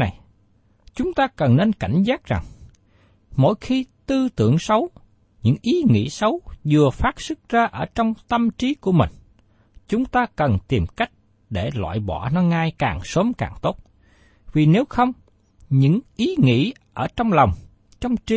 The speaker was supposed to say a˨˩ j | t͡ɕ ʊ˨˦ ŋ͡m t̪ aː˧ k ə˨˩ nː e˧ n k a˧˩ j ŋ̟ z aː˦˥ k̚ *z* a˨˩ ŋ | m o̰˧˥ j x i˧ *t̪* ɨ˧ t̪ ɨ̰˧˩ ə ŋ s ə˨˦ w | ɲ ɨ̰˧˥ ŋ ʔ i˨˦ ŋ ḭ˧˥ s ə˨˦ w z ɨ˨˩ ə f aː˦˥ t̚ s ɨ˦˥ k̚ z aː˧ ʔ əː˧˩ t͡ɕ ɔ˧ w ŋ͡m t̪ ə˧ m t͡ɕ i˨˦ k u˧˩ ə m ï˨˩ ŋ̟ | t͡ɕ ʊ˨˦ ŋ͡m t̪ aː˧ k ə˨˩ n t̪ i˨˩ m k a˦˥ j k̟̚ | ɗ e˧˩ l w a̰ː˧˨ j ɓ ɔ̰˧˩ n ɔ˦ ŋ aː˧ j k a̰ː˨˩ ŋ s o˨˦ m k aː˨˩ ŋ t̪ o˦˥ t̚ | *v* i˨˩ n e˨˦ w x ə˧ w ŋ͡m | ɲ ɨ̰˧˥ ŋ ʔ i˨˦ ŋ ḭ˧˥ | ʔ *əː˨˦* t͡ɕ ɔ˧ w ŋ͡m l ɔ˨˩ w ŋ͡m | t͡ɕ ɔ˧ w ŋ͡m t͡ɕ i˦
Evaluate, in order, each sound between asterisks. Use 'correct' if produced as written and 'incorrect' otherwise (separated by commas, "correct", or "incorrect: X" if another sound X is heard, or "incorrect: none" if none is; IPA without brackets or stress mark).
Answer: correct, correct, correct, incorrect: əː˧˩